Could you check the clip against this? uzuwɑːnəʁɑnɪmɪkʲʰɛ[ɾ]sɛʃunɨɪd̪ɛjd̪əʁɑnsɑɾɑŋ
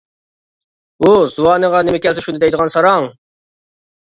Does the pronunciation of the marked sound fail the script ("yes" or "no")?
yes